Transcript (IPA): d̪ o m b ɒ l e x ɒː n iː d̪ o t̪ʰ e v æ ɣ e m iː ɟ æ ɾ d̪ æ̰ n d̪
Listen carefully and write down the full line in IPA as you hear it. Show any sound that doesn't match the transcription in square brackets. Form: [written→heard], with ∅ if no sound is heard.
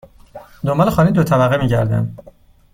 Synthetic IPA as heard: d̪ o m b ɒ l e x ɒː n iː d̪ o t̪ʰ [e→æ] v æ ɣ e m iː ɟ æ ɾ d̪ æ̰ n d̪

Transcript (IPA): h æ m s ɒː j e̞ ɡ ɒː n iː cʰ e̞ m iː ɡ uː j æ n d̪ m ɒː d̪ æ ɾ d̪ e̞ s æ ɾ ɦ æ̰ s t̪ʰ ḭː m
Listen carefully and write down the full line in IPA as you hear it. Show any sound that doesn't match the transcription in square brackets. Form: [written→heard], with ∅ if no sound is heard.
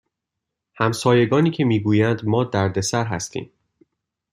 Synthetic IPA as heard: h æ m s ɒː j e̞ ɡ ɒː n iː cʰ e̞ m iː ɡ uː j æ n d̪ m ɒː d̪ æ ɾ d̪ e̞ s æ ɾ ɦ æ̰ s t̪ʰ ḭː m

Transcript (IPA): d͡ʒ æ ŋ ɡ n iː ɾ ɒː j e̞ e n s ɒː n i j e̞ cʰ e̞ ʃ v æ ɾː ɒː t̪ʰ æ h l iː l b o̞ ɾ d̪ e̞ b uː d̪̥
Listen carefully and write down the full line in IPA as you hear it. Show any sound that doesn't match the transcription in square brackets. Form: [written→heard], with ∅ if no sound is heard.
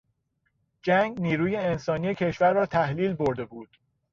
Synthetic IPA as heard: d͡ʒ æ ŋ ɡ n iː ɾ [ɒː→uː] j e̞ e n s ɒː n i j e̞ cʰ e̞ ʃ v æ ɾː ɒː t̪ʰ æ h l iː l b o̞ ɾ d̪ e̞ b uː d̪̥

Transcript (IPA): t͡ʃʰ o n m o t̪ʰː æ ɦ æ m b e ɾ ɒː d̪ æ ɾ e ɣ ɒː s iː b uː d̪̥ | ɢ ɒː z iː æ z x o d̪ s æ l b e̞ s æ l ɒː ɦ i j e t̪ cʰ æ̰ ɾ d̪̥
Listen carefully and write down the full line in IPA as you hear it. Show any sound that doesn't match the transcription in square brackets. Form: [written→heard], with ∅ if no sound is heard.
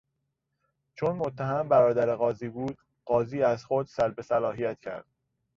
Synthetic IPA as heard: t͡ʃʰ o n m o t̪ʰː æ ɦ æ m b [e→æ] ɾ ɒː d̪ æ ɾ e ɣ ɒː [s→z] iː b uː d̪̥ | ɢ ɒː z iː æ z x o d̪ s æ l b e̞ s æ l ɒː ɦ i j [e→æ] t̪ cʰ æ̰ ɾ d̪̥

